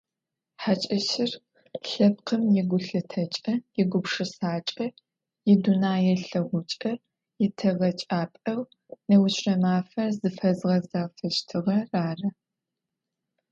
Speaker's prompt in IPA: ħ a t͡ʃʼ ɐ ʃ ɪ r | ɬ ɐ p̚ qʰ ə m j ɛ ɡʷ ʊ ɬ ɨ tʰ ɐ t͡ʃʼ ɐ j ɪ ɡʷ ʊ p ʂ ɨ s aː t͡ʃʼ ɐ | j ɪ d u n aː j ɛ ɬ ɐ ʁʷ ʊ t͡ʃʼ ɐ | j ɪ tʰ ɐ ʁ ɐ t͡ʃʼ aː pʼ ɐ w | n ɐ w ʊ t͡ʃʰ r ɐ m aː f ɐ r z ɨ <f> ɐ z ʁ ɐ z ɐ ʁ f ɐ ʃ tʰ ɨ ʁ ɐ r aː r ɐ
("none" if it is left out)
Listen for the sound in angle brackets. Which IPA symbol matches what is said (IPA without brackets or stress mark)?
f